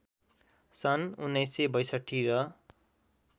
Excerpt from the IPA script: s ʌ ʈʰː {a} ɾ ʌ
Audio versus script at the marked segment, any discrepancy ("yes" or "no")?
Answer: yes